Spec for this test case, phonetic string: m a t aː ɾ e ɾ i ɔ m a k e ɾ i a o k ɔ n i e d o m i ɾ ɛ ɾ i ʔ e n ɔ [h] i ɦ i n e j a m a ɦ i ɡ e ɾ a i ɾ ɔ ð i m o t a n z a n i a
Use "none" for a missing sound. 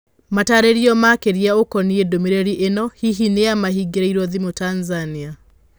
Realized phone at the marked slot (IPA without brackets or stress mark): h